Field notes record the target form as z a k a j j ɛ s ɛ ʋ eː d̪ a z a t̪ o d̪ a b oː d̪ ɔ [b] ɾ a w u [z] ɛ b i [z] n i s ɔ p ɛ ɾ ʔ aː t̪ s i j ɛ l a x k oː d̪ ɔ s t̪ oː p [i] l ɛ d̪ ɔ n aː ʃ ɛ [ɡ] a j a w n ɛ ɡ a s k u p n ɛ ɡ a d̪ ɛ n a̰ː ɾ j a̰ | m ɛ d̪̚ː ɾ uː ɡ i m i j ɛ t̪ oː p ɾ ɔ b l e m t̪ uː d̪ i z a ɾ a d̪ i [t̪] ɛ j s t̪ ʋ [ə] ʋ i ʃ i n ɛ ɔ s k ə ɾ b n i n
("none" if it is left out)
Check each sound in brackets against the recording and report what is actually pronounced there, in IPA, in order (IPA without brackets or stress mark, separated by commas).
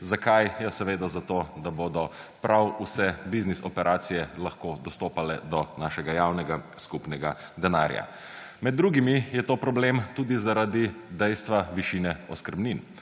p, s, z, a, ɡ, d̪, a